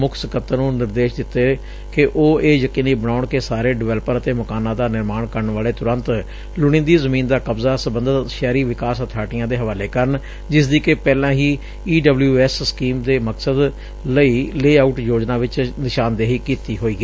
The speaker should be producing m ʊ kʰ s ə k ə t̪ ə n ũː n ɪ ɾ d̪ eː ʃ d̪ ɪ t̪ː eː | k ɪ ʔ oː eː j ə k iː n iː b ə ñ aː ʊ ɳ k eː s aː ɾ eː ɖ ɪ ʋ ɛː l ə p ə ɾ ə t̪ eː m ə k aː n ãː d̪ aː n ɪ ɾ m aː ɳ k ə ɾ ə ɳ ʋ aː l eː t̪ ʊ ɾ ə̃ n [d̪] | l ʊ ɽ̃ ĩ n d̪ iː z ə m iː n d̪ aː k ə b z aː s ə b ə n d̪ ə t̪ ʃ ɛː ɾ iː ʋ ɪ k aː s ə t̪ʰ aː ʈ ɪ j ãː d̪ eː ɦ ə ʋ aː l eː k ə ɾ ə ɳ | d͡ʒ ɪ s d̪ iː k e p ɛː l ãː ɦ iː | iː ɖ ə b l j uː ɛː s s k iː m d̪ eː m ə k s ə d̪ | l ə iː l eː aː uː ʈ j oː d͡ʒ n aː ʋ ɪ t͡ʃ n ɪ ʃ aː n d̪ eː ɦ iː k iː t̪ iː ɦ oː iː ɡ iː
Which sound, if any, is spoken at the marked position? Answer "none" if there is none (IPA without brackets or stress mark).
t̪